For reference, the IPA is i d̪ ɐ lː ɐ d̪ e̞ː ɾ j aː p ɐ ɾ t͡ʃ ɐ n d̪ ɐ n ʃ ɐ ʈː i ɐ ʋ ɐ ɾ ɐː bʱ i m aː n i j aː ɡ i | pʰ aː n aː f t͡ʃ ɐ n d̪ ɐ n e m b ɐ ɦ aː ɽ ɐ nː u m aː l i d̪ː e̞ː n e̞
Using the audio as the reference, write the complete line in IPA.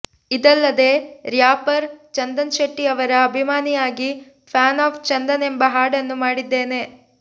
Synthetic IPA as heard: i d̪ ɐ lː ɐ d̪ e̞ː ɾ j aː p ɐ ɾ t͡ʃ ɐ n d̪ ɐ n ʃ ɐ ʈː i ɐ ʋ ɐ ɾ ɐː bʱ i m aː n i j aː ɡ i | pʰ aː n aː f t͡ʃ ɐ n d̪ ɐ n e m b ɐ ɦ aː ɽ ɐ nː u m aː ɽ i d̪ː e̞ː n e̞

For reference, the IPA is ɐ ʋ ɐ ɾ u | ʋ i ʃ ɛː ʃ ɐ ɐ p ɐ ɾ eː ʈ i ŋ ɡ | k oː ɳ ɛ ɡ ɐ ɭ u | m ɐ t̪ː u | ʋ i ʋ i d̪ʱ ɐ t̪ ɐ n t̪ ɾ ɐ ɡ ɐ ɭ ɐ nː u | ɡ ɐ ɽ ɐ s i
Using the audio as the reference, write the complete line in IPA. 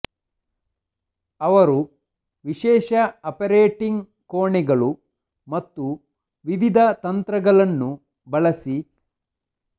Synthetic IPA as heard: ɐ ʋ ɐ ɾ u | ʋ i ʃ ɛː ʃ ɐ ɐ p ɐ ɾ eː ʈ i ŋ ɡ | k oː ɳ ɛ ɡ ɐ ɭ u | m ɐ t̪ː u | ʋ i ʋ i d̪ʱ ɐ t̪ ɐ n t̪ ɾ ɐ ɡ ɐ ɭ ɐ nː u | b ɐ ɭ ɐ s i

